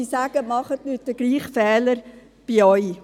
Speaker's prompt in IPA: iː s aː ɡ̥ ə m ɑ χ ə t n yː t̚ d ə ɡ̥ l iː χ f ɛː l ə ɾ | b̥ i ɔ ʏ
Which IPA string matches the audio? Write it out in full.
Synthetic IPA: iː s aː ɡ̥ ə m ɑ χ ə t n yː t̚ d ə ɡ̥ l iː χ f ɛː l ə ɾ | b̥ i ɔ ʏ